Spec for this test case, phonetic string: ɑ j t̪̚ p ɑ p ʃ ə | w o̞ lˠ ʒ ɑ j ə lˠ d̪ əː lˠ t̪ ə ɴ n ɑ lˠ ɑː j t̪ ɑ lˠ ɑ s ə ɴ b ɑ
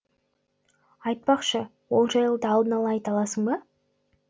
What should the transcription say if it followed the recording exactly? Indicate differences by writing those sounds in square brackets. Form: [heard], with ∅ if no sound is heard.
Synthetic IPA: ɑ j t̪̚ p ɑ [q] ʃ ə | w o̞ lˠ ʒ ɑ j ə lˠ d̪ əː lˠ [d̪] ə [∅] n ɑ lˠ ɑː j t̪ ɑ lˠ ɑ s ə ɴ b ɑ